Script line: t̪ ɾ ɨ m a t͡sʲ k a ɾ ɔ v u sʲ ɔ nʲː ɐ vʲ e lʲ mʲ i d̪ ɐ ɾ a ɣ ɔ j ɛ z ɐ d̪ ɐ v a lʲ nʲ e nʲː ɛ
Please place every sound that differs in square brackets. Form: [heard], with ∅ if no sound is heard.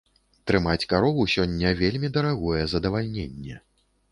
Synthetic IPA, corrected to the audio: t̪ ɾ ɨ m a t͡sʲ k a ɾ ɔ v u sʲ ɔ nʲː ɐ vʲ e lʲ mʲ i d̪ ɐ ɾ a ɣ ɔ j ɛ z ɐ d̪ ɐ v a lʲ nʲ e nʲː ɛ